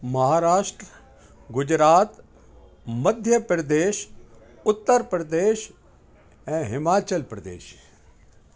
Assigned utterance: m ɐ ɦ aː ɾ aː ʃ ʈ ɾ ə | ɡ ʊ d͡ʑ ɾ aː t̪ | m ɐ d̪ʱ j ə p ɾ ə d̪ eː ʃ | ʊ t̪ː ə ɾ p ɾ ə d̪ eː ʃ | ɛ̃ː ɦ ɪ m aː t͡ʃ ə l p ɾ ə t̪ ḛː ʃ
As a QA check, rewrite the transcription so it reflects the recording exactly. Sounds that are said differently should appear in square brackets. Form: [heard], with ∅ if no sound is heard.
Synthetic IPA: m ɐ ɦ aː ɾ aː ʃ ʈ ɾ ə | ɡ ʊ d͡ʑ ɾ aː t̪ | m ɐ d̪ʱ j ə p ɾ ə d̪ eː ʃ | ʊ t̪ː ə ɾ p ɾ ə d̪ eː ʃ | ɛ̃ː ɦ ɪ m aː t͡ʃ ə l p ɾ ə [d̪] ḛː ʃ